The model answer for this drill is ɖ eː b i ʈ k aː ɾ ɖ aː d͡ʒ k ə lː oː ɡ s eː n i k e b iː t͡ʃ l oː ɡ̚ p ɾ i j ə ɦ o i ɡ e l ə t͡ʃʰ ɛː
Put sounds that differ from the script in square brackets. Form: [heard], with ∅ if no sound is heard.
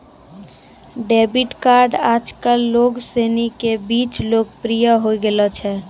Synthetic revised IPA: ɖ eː b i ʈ k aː ɾ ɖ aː d͡ʒ k ə lː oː ɡ s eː n i k e b iː t͡ʃ l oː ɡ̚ p ɾ i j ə ɦ o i ɡ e l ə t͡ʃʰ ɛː

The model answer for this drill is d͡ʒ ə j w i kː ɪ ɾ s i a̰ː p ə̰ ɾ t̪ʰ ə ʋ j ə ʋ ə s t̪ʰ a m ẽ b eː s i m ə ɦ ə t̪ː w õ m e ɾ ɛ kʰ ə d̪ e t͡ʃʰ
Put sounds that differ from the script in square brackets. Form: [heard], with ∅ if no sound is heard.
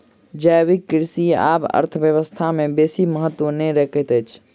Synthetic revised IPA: d͡ʒ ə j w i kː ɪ ɾ s i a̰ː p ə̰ ɾ t̪ʰ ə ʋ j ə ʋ ə s t̪ʰ a m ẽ b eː s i m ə ɦ ə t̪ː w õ [n] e ɾ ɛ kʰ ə [t̪] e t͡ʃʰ

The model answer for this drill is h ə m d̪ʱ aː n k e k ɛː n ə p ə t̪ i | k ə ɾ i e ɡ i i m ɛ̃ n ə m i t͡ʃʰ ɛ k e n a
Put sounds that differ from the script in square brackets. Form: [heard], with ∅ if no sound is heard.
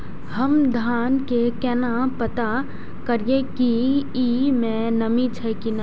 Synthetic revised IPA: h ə m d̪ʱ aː n k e k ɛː n [a] p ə t̪ [a] | k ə ɾ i e [k] i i m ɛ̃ n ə m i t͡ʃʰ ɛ k [i] n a

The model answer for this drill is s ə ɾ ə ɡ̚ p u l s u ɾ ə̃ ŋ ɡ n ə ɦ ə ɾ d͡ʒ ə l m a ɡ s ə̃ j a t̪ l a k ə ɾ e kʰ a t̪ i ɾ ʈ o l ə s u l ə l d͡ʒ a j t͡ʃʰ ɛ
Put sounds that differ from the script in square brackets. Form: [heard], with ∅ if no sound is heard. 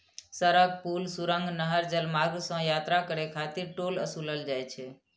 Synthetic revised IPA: s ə ɾ ə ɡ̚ p u l s u ɾ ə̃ ŋ ɡ n ə ɦ ə ɾ d͡ʒ ə l m a ɡ s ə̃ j a t̪ [ɾ] a k ə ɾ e kʰ a t̪ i ɾ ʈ o l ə s u l ə l d͡ʒ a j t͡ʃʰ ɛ

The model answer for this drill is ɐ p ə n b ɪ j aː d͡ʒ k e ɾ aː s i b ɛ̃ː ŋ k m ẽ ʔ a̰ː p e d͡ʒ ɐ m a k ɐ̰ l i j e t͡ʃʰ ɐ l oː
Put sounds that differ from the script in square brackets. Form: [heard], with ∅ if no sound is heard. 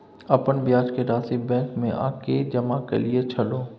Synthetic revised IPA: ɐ p ə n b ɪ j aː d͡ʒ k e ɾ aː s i b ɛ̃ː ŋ k m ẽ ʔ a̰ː [k] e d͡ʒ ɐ m a k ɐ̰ l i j e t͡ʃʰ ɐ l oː

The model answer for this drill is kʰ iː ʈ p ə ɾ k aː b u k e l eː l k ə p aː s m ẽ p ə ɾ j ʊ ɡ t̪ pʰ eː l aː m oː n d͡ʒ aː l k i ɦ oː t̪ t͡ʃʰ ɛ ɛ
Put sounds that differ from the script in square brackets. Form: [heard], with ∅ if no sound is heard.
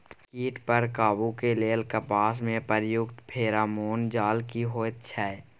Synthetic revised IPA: [k] iː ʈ p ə ɾ k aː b u k e l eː l k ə p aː s m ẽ p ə ɾ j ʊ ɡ t̪ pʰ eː [ɾ] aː m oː n d͡ʒ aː l k i ɦ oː t̪ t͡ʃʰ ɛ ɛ

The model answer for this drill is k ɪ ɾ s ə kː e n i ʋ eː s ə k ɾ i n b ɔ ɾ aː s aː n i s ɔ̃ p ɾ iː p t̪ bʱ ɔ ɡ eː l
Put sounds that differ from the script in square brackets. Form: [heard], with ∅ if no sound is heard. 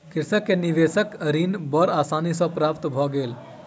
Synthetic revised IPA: k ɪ ɾ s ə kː e n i ʋ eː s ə k ɾ i n b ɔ ɾ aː s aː n i s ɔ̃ p ɾ [aː] p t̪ bʱ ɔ ɡ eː l

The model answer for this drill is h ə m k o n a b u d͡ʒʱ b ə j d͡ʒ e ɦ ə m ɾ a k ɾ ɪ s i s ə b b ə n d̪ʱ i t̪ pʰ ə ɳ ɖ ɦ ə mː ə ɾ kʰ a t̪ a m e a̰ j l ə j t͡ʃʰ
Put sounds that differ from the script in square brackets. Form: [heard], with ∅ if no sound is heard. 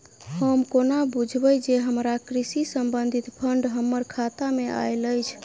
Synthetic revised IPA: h ə m k o n a b u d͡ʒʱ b ə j d͡ʒ e ɦ ə m ɾ a k ɾ [i] s i s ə [m] b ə n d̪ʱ i t̪ pʰ ə ɳ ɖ ɦ ə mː ə ɾ kʰ a t̪ a m e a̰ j l ə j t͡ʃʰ

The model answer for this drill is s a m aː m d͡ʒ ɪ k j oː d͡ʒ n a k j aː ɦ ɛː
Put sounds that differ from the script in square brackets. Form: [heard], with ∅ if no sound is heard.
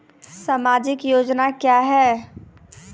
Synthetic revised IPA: s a m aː [∅] d͡ʒ ɪ k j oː d͡ʒ n a k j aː ɦ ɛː

